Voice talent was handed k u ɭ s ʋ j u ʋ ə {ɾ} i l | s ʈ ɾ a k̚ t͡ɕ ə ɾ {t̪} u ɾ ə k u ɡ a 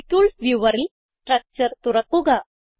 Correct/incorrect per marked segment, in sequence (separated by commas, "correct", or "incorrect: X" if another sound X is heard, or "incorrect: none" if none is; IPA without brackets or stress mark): correct, correct